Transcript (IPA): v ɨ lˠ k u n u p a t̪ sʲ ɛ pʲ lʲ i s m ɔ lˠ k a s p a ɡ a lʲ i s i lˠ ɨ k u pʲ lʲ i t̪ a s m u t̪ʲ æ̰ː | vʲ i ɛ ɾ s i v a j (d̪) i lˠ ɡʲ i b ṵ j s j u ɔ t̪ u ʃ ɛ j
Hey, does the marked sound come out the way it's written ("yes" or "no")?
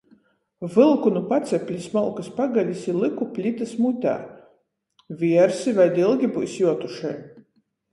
yes